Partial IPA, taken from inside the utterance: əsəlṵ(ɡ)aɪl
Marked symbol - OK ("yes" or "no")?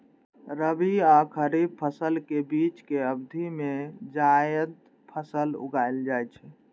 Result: yes